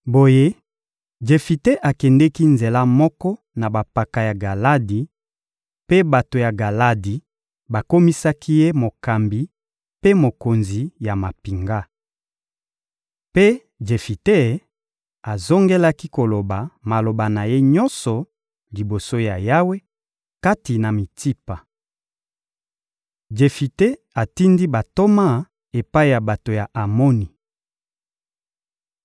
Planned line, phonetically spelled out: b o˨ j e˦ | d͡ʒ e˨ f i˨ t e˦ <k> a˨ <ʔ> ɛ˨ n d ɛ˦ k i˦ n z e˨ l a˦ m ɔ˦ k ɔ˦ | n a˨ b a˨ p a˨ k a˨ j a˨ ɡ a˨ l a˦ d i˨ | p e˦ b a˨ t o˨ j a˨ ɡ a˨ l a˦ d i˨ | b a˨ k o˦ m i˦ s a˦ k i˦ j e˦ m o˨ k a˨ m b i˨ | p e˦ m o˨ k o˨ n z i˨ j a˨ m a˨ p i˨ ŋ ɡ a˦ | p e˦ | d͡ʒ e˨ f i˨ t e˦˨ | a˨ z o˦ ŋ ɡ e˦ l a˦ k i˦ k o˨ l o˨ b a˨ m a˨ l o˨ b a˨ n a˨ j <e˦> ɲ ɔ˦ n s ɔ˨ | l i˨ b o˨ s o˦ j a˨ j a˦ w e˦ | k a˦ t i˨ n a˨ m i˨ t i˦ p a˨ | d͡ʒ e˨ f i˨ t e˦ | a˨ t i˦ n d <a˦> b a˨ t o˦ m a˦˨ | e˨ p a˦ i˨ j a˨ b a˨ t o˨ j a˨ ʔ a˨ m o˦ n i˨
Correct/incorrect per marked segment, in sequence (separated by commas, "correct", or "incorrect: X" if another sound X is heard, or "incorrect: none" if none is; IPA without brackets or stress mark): incorrect: ʔ, incorrect: k, correct, incorrect: i˦